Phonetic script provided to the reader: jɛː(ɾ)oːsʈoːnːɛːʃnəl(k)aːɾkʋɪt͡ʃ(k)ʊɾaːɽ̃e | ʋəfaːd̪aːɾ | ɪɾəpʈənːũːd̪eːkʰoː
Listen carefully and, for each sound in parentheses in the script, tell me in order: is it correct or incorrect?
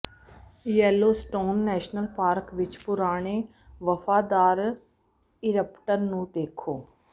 incorrect, incorrect, incorrect

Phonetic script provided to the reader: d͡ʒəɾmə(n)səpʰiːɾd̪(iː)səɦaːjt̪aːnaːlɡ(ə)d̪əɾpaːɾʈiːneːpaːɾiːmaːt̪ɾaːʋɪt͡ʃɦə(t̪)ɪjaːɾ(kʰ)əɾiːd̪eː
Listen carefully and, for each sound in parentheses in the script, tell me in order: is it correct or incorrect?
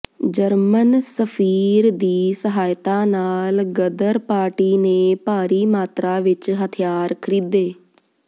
correct, correct, correct, incorrect, correct

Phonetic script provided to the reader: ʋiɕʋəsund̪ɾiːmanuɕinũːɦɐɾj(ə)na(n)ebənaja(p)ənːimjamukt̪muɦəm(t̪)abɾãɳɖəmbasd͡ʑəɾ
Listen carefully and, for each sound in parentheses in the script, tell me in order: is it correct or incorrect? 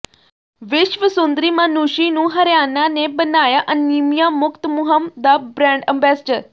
incorrect, correct, incorrect, incorrect

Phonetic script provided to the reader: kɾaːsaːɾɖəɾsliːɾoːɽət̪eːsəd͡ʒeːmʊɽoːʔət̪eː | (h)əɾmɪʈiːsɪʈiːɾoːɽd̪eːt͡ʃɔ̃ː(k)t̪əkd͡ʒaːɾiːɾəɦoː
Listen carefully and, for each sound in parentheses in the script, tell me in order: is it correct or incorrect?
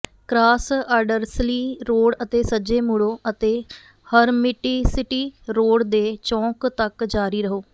correct, correct

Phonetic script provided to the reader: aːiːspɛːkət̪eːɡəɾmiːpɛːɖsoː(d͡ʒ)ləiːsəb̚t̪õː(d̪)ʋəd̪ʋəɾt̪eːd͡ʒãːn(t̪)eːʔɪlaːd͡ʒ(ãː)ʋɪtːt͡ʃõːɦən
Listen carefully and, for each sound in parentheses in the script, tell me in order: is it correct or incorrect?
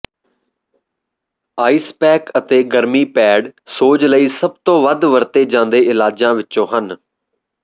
correct, incorrect, incorrect, correct

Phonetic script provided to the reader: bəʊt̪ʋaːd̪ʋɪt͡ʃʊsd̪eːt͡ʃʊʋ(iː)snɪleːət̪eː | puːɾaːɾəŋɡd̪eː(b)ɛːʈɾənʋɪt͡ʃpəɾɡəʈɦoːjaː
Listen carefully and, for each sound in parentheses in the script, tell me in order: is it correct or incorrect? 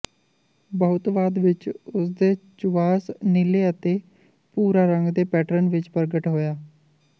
incorrect, incorrect

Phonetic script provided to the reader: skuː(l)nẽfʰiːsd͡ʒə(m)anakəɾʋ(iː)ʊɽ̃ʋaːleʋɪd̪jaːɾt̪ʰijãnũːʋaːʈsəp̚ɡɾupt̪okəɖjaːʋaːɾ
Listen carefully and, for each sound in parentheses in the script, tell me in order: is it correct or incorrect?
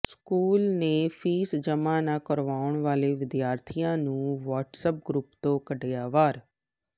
correct, correct, incorrect

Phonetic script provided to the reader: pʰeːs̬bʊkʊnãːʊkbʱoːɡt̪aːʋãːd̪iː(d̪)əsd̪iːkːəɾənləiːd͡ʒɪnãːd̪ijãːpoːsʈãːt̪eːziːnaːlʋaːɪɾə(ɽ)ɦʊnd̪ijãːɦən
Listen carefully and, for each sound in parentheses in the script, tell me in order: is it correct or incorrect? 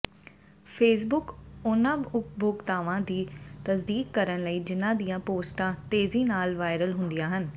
incorrect, incorrect

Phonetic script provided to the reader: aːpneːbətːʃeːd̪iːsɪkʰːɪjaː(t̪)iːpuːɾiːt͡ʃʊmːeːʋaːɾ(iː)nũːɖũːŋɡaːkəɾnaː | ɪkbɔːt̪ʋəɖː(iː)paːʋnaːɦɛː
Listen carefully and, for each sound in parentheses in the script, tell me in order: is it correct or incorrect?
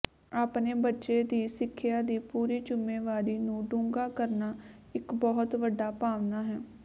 incorrect, correct, incorrect

